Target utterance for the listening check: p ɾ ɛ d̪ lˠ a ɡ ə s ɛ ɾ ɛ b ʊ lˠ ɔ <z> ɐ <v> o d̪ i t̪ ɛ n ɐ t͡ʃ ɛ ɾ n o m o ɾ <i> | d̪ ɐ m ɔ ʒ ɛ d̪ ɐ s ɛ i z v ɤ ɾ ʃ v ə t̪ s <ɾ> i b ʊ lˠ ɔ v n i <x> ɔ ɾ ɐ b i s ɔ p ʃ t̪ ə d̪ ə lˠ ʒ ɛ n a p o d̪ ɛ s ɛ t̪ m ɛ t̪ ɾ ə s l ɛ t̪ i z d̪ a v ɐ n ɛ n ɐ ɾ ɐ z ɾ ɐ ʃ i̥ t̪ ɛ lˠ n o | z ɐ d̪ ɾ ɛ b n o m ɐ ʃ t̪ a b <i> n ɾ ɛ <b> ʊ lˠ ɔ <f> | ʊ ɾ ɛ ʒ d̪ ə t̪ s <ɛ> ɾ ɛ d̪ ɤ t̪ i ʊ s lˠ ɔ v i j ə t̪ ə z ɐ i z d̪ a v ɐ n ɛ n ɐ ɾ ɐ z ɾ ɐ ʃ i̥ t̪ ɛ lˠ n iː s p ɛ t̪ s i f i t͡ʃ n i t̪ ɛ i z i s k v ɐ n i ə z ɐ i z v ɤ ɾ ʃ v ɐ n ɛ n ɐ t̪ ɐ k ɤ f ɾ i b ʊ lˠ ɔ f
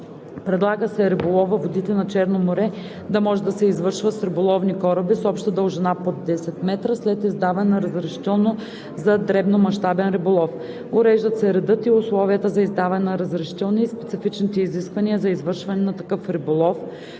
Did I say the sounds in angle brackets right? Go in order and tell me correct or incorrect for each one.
incorrect, correct, incorrect, correct, incorrect, incorrect, correct, correct, correct

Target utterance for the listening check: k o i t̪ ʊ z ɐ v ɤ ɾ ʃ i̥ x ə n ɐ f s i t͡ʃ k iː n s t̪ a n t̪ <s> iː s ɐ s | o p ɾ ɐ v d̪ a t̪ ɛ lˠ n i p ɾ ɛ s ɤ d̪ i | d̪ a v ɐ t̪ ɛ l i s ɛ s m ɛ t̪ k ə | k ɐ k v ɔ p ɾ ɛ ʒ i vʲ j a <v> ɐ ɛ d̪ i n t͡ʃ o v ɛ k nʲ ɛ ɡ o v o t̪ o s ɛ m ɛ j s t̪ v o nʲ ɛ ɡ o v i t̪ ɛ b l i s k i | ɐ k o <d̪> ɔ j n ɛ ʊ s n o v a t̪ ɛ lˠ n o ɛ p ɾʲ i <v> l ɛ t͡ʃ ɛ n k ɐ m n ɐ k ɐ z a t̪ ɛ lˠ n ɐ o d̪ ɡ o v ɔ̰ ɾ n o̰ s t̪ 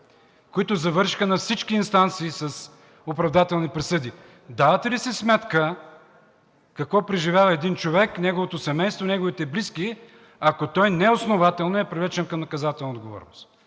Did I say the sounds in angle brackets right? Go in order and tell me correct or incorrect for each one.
correct, correct, incorrect, correct

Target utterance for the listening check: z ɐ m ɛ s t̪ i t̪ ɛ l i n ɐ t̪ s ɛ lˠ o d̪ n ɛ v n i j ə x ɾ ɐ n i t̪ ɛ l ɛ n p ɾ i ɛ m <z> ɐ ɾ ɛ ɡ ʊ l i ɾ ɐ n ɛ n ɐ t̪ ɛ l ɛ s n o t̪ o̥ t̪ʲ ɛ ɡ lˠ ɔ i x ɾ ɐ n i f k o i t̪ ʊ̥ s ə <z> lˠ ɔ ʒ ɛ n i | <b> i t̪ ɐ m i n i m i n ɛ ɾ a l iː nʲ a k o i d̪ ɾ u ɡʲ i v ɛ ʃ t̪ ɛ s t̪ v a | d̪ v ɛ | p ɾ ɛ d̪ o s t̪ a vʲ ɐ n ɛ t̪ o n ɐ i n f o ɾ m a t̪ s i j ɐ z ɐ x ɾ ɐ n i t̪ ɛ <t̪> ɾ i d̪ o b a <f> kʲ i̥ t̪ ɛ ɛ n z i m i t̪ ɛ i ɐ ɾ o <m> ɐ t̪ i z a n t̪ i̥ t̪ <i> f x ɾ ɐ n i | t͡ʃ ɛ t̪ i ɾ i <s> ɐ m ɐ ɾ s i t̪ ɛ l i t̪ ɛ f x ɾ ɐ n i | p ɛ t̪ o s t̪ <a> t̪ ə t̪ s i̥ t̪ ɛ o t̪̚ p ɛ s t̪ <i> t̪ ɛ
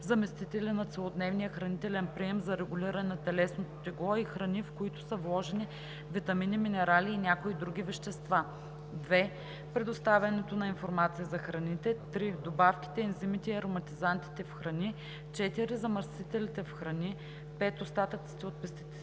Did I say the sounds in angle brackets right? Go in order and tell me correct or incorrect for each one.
correct, incorrect, incorrect, correct, correct, correct, incorrect, incorrect, correct, correct

